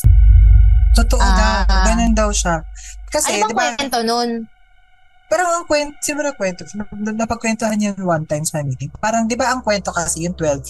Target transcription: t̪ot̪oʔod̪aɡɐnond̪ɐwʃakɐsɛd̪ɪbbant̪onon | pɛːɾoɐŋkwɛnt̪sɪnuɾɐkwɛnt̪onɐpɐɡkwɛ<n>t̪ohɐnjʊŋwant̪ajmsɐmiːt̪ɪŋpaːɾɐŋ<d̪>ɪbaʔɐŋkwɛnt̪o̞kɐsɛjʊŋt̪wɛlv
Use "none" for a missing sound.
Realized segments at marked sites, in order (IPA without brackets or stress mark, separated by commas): n, d̪